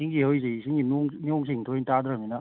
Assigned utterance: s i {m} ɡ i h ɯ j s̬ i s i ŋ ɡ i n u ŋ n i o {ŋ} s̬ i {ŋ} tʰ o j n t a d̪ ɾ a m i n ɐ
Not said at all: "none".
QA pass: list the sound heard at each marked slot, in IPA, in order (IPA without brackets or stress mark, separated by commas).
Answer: ŋ, ŋ, ŋ